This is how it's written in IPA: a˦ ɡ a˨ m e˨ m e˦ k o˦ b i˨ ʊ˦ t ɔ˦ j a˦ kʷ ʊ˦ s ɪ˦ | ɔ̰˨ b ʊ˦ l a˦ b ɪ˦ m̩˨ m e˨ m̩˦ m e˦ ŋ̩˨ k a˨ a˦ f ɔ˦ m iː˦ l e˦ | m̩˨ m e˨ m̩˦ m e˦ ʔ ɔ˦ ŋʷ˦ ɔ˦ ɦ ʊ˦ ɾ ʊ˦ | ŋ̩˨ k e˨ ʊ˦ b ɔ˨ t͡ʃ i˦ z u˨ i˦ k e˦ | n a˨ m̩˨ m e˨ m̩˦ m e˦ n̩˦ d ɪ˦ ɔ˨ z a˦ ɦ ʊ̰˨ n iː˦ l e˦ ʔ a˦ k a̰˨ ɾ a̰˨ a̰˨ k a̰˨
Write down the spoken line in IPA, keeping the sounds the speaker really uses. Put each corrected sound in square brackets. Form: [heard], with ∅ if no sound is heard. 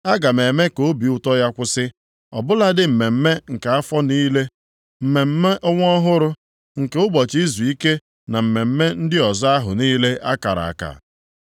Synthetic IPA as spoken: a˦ ɡ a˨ m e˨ m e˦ k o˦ b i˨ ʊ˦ t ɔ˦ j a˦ kʷ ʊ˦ s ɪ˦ | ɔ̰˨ b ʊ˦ l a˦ [d] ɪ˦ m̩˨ m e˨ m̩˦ m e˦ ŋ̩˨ k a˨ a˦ f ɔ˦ [n] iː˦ l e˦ | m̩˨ m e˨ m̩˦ m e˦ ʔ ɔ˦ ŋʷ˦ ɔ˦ ɦ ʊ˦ ɾ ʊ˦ | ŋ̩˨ k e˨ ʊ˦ b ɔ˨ t͡ʃ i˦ z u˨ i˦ k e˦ | n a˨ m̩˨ m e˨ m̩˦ m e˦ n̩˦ d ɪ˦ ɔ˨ z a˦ ɦ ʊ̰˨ n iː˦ l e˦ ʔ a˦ k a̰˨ ɾ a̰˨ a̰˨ k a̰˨